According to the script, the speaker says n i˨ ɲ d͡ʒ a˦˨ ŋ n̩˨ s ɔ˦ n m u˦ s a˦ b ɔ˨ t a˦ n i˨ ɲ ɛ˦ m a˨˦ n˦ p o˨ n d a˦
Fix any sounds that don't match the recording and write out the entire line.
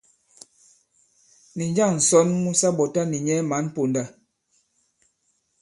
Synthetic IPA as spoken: n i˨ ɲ d͡ʒ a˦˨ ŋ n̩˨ s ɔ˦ n m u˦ s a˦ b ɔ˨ t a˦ n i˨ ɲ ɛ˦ m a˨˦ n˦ p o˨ n d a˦